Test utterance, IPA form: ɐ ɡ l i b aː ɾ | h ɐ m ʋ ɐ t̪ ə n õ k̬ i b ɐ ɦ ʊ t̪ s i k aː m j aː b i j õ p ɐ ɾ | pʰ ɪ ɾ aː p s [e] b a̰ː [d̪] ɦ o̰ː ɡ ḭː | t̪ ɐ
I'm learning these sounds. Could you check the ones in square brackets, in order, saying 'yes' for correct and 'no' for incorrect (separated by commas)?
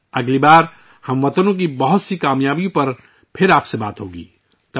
yes, no